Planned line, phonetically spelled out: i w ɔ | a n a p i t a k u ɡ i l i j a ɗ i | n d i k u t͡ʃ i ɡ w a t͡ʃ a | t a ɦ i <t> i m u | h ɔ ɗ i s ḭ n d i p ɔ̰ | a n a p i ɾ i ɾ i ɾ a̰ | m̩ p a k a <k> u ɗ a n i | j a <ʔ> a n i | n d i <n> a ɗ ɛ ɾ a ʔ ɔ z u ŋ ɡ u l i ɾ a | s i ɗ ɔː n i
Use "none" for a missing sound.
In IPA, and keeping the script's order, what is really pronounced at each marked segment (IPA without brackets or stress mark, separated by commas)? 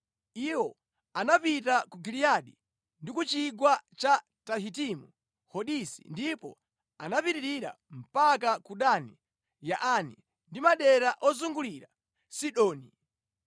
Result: t, k, ʔ, m